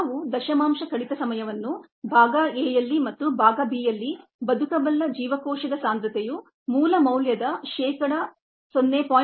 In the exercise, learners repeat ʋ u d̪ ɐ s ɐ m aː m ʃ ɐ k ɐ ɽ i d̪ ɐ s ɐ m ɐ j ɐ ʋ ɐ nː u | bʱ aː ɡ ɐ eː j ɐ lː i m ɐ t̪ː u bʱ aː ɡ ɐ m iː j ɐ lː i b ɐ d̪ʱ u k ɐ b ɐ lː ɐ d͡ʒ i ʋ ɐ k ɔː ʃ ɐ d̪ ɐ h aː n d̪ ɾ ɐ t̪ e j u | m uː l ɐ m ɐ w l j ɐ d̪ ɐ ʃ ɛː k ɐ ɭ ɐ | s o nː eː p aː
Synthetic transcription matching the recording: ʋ u d̪ ɐ ʃ ɐ m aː m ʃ ɐ k ɐ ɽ i t̪ ɐ s ɐ m ɐ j ɐ ʋ ɐ nː u | bʱ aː ɡ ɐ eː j ɐ lː i m ɐ t̪ː u bʱ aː ɡ ɐ b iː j ɐ lː i b ɐ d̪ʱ u k ɐ b ɐ lː ɐ d͡ʒ iː ʋ ɐ k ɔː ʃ ɐ d̪ ɐ s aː n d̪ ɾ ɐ t̪ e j u | m uː l ɐ m ɐ w l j ɐ d̪ ɐ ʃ ɛː k ɐ ɽ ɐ | s o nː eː p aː